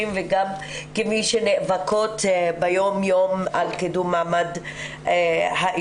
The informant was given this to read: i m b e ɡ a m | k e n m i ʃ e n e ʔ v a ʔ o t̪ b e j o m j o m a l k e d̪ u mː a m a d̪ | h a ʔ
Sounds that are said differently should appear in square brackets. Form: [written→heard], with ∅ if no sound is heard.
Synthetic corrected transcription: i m [b→v] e ɡ a m | k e [n→∅] m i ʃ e n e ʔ v a [ʔ→k] o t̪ b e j o m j o m a l k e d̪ u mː a m a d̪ | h a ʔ